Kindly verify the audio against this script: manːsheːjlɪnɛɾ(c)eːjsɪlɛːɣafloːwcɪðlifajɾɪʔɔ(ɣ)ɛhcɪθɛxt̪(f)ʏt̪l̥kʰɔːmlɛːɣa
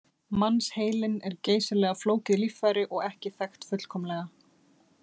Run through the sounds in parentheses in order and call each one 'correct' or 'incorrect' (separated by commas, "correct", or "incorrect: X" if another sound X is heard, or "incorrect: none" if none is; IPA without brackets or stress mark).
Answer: correct, correct, correct